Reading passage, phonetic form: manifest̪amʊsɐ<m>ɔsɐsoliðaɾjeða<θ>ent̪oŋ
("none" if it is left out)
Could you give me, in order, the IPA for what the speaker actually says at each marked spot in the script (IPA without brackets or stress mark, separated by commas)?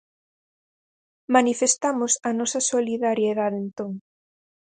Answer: n, ð